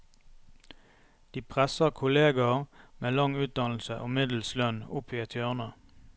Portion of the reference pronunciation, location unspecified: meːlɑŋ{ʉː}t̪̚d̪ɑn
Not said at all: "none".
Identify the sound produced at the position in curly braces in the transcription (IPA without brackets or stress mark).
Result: ʉː